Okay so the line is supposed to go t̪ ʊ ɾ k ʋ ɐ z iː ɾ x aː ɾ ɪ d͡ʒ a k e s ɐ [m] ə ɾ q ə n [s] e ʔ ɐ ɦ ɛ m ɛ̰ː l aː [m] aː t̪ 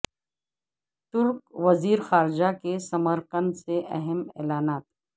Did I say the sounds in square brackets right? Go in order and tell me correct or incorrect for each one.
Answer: correct, correct, incorrect: n

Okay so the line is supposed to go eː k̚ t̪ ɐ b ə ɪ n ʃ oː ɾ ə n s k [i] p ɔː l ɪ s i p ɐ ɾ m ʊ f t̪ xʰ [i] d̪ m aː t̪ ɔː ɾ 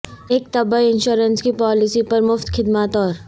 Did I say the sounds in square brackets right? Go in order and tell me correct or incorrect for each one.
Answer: correct, incorrect: ɪ

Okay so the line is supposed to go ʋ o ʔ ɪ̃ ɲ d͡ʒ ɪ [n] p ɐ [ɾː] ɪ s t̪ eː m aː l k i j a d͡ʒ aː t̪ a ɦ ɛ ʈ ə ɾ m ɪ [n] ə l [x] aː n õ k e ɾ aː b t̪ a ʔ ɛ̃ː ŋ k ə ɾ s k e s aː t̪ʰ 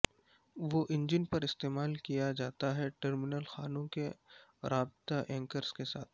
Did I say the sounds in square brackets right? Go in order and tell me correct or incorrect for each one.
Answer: correct, incorrect: ɾ, correct, correct

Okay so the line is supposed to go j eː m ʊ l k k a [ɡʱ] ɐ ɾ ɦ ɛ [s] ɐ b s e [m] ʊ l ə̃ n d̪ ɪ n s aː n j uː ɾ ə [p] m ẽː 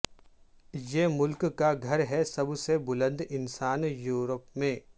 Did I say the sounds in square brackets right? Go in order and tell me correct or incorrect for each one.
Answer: correct, correct, incorrect: b, correct

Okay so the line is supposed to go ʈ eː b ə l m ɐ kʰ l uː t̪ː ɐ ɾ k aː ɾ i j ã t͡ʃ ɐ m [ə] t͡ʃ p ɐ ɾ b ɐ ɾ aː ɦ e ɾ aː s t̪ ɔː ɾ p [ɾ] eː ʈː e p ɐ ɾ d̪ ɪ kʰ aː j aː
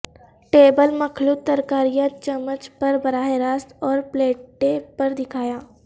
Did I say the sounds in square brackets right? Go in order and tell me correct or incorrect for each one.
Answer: correct, incorrect: l

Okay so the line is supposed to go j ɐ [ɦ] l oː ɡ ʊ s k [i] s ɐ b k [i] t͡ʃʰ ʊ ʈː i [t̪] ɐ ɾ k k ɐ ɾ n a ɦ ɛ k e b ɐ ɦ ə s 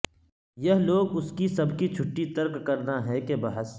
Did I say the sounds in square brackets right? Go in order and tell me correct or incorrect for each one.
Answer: correct, correct, correct, correct

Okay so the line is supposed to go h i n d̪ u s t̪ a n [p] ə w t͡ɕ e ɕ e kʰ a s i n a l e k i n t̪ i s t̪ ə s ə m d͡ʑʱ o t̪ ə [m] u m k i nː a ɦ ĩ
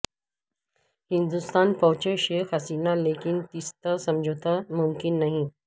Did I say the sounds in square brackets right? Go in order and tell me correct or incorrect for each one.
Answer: correct, correct

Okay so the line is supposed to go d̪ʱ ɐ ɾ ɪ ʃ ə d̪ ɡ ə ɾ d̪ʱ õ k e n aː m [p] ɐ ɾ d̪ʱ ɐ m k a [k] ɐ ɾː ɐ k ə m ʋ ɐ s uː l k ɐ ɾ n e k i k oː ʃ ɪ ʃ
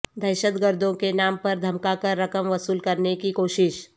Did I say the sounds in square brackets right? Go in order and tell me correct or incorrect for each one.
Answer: correct, correct

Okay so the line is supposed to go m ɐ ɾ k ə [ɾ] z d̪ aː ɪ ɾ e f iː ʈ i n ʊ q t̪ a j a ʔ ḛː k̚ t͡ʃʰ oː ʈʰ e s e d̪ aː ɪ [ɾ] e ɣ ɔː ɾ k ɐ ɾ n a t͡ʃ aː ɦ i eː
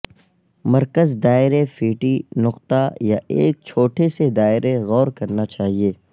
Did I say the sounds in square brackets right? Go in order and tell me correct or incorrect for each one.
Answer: incorrect: none, correct

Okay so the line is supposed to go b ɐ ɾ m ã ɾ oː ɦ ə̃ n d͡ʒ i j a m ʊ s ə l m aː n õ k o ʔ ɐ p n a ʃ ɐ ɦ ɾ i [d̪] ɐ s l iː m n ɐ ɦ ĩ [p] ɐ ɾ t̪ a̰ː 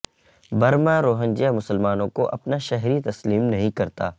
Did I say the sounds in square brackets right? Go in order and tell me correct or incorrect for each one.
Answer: incorrect: t̪, incorrect: k

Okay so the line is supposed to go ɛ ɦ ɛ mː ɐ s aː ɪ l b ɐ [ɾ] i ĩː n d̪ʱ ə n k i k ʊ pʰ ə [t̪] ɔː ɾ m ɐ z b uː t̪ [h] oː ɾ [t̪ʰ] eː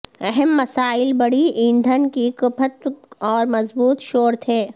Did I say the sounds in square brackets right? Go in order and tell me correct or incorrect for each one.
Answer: incorrect: ɽ, correct, incorrect: ʃ, correct

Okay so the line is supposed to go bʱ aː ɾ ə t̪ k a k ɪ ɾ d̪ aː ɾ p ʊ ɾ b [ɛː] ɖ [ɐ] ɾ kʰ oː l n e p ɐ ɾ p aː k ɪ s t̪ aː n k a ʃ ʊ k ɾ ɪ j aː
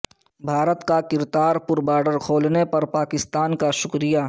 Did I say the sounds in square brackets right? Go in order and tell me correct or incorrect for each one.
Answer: incorrect: aː, incorrect: ə

